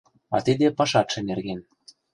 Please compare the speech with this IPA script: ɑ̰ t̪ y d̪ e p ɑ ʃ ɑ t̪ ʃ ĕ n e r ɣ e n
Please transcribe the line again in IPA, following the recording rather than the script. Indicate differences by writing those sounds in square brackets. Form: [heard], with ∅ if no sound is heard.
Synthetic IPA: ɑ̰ t̪ [i] d̪ e p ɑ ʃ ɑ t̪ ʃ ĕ n e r ɣ e n